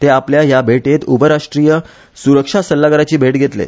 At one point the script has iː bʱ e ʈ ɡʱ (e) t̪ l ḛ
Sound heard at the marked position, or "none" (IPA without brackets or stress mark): e